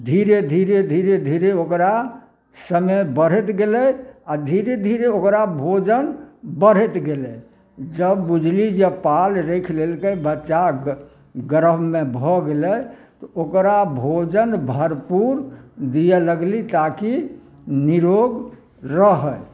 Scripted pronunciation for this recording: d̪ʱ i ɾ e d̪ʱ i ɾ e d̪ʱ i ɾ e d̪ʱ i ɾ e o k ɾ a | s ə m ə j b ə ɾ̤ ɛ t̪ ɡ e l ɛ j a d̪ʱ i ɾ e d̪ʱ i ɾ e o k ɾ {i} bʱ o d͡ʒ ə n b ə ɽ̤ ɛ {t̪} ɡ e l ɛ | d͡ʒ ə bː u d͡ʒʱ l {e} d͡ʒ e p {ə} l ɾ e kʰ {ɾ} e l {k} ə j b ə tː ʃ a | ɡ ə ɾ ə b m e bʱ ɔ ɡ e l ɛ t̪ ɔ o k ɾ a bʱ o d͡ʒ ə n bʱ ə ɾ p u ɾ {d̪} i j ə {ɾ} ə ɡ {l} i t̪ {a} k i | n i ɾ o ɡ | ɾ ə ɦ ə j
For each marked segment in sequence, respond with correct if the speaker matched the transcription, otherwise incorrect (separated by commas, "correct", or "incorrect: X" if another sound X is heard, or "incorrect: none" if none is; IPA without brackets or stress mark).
incorrect: a, correct, incorrect: i, incorrect: a, incorrect: l, correct, correct, incorrect: l, correct, correct